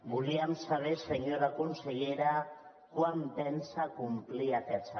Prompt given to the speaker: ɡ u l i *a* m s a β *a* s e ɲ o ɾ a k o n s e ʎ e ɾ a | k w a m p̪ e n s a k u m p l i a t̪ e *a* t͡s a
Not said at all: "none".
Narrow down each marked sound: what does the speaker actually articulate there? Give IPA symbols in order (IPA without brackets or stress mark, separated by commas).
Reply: a, e, a